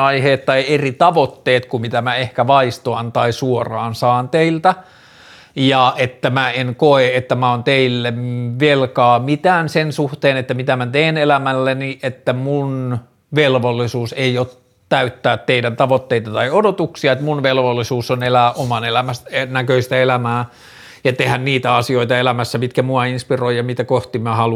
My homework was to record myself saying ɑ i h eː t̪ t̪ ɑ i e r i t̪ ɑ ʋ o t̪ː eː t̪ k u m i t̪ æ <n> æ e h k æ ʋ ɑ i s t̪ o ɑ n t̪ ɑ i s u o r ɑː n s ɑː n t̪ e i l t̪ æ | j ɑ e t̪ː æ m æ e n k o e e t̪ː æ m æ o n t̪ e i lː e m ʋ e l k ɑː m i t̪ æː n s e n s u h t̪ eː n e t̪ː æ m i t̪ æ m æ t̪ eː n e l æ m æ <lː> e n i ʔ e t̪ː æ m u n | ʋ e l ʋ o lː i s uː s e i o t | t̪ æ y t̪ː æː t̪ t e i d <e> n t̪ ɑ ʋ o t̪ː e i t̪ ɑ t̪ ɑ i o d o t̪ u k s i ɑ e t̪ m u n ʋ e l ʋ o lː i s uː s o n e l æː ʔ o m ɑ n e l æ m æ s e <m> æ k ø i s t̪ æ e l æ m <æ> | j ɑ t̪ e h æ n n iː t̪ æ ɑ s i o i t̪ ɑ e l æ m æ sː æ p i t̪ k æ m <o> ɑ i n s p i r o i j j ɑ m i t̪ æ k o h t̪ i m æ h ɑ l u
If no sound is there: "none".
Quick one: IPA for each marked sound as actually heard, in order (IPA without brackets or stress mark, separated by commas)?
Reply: m, lː, æ, n, æː, u